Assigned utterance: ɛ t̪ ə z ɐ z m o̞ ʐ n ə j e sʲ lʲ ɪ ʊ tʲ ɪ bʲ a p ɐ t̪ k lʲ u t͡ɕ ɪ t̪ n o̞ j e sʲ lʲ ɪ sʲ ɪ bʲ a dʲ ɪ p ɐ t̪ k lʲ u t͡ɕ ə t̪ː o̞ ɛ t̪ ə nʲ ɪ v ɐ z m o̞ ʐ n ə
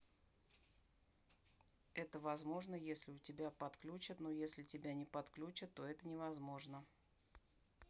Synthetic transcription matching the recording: ɛ t̪ ə v ɐ z m o̞ ʐ n ə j e sʲ lʲ ɪ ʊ tʲ ɪ bʲ a p ɐ t̪ k lʲ u t͡ɕ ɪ t̪ n o̞ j e sʲ lʲ ɪ tʲ ɪ bʲ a nʲ ɪ p ɐ t̪ k lʲ u t͡ɕ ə t̪ː o̞ ɛ t̪ ə nʲ ɪ v ɐ z m o̞ ʐ n ə